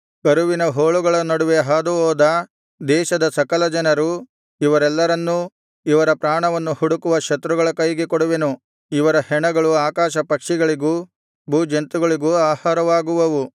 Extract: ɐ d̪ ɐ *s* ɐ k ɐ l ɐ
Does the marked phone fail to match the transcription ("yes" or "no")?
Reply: no